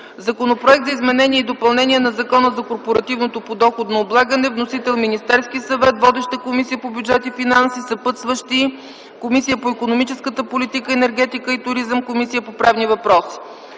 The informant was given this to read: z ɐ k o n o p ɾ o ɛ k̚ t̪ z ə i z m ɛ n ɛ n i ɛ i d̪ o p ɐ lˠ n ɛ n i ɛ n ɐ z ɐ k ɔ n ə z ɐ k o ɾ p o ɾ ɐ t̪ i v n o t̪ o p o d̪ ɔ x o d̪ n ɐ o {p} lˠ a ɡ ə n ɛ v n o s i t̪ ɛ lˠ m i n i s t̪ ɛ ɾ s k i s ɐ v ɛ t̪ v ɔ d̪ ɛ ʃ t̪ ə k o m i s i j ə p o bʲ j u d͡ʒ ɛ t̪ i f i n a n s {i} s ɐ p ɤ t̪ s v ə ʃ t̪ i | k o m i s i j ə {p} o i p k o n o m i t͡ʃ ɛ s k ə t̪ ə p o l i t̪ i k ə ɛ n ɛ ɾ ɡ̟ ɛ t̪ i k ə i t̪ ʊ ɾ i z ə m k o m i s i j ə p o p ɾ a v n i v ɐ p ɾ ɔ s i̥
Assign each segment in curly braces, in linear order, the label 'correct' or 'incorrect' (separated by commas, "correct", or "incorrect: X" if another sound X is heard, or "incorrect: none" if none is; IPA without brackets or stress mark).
incorrect: b, correct, correct